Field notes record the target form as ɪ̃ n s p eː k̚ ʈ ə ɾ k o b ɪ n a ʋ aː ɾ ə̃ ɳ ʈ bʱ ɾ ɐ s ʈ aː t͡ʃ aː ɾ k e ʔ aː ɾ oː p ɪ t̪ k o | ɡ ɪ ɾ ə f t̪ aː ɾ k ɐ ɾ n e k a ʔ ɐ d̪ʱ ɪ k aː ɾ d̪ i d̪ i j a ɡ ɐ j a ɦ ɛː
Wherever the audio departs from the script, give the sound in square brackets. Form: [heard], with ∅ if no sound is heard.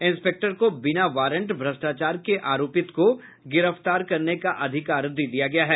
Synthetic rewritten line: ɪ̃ n s p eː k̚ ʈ ə ɾ k o b ɪ n a ʋ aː ɾ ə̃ ɳ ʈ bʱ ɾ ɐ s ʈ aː t͡ʃ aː ɾ k e ʔ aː ɾ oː p ɪ t̪ k o | ɡ ɪ ɾ ə f t̪ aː ɾ k ɐ ɾ n e k a ʔ ɐ d̪ʱ ɪ k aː ɾ d̪ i d̪ i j a ɡ ɐ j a ɦ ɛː